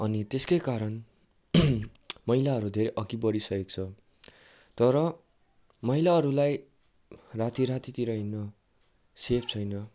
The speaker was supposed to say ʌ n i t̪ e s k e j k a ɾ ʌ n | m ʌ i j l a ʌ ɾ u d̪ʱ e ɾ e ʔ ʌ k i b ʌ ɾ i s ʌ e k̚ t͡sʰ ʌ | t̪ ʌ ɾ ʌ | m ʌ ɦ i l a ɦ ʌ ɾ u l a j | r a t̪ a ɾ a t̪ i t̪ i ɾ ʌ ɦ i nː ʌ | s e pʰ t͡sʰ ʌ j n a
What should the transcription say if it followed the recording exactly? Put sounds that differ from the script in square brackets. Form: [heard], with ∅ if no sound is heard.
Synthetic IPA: ʌ n i t̪ e s k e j k a ɾ ʌ n | m ʌ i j l a ʌ ɾ u d̪ʱ e ɾ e ʔ ʌ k i b ʌ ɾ i s ʌ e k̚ t͡sʰ ʌ | t̪ ʌ ɾ ʌ | m ʌ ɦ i l a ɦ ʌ ɾ u l a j | r a t̪ [i] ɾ a t̪ i t̪ i ɾ ʌ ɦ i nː ʌ | s e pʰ t͡sʰ ʌ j n [ʌ]